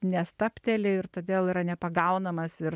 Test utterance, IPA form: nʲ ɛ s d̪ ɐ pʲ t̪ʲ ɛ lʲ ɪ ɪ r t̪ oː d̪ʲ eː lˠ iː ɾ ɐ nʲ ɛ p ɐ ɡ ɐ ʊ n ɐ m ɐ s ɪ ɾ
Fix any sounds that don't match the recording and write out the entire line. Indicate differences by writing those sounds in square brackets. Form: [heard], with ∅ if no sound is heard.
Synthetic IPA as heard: nʲ ɛ s [t̪] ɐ pʲ t̪ʲ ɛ lʲ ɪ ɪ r t̪ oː d̪ʲ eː lˠ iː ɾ ɐ nʲ ɛ p ɐ ɡ ɐ ʊ n ɐ m ɐ s ɪ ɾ